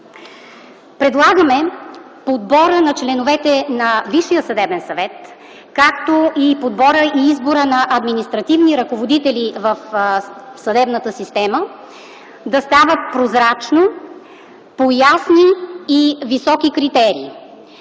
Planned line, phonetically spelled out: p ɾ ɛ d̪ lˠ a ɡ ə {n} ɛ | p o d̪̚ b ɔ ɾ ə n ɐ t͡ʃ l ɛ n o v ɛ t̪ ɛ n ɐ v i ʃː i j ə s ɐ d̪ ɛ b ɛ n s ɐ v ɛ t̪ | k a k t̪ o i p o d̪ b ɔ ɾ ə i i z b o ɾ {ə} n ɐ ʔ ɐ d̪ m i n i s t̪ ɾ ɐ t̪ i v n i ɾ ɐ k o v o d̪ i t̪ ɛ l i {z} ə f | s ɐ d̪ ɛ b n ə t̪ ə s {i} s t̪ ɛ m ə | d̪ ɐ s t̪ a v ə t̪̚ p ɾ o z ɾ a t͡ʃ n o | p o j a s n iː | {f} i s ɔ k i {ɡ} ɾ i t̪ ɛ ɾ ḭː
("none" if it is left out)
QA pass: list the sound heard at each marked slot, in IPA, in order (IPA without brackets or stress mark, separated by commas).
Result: m, ə, v, i, v, k